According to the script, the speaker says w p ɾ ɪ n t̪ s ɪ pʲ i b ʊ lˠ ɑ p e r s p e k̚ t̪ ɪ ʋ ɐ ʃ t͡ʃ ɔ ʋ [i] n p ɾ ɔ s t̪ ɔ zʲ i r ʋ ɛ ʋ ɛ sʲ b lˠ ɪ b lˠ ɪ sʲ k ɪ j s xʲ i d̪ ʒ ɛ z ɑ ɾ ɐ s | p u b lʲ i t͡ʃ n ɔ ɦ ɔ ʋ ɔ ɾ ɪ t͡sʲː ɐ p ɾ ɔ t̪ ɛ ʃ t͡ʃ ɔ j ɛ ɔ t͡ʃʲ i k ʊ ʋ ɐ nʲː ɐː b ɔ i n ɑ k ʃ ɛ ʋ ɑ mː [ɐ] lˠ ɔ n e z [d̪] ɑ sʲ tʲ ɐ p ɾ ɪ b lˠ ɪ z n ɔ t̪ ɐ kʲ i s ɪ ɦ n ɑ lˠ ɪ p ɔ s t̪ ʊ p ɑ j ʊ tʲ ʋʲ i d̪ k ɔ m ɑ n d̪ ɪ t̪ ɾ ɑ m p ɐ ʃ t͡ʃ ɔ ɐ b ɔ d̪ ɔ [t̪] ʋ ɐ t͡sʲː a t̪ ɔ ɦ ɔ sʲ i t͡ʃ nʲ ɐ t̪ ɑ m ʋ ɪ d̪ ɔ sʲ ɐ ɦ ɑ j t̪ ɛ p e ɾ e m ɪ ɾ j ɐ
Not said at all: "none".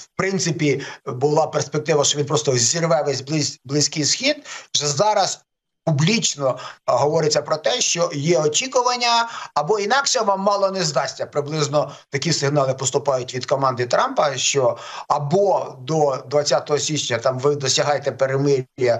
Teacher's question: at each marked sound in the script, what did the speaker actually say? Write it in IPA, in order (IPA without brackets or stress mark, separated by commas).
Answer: i, ɑ, d̪, d̪